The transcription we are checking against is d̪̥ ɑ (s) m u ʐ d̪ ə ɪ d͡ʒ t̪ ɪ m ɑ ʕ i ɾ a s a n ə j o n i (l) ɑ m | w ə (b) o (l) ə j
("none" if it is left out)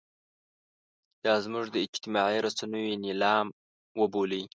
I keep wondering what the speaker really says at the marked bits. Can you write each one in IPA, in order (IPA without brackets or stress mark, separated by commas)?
z, l, b, l